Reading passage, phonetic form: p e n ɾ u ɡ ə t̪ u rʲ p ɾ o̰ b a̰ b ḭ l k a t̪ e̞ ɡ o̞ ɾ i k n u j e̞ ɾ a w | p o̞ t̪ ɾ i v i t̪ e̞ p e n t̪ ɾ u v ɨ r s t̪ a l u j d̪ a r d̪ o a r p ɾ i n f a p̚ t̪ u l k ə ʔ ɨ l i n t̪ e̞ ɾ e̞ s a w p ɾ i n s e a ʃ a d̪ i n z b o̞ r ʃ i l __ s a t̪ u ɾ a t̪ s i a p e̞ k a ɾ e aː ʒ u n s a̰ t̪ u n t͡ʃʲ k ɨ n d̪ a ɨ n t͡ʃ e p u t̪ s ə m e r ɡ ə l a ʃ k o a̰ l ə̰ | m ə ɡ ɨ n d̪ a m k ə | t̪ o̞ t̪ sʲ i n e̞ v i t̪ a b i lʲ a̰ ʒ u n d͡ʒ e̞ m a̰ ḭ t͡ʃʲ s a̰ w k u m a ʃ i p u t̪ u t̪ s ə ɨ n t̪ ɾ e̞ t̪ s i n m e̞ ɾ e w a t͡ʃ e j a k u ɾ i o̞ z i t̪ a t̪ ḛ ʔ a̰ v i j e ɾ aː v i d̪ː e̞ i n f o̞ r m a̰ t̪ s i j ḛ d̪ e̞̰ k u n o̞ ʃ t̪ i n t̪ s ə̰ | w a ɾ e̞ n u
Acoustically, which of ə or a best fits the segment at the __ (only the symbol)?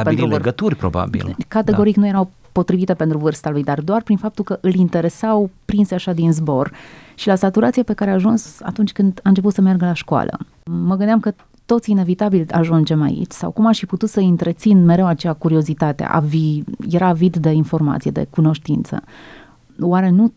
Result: a